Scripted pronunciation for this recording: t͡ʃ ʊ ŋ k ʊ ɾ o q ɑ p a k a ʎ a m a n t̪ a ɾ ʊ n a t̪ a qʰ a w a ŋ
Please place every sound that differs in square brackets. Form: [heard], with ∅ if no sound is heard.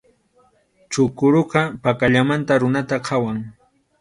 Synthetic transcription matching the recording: t͡ʃ ʊ [∅] k ʊ ɾ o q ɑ p a k a ʎ a m a n t̪ a ɾ ʊ n a t̪ a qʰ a w a ŋ